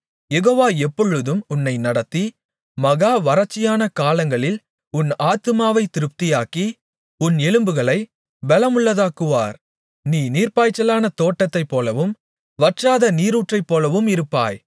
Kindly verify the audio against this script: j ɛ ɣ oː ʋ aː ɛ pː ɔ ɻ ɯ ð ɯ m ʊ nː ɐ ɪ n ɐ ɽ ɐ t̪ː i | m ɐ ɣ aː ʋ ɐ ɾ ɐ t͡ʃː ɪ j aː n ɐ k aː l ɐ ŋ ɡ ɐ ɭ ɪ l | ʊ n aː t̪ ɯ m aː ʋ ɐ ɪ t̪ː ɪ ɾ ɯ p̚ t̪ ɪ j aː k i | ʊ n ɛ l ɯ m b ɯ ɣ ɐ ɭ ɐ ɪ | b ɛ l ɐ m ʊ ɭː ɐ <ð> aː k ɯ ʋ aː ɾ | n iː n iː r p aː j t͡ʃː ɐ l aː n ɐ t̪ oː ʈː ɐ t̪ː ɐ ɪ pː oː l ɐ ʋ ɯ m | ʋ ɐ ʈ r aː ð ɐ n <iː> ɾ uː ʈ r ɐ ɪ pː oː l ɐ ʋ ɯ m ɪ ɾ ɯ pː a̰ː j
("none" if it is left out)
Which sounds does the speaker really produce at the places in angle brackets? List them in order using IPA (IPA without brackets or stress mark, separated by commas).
ð, iː